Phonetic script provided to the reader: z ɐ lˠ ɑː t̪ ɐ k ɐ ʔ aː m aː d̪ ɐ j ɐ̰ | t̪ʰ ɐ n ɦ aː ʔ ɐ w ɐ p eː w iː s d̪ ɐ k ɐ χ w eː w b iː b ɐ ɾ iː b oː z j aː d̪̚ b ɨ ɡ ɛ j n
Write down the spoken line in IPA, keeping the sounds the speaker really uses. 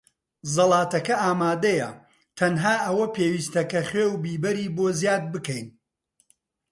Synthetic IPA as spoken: z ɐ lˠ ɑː t̪ ɐ k ɐ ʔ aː m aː d̪ ɐ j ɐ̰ | t̪ʰ ɐ n ɦ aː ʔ ɐ w ɐ p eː w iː s t̪ ɐ k ɐ χ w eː w b iː b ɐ ɾ iː b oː z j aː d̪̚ b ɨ k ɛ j n